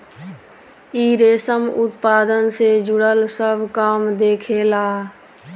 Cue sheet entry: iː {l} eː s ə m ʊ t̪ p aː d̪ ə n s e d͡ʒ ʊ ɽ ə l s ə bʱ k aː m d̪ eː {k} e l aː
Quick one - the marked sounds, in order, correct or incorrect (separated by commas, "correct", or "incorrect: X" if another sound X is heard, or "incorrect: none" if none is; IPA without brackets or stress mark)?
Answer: incorrect: ɾ, incorrect: kʰ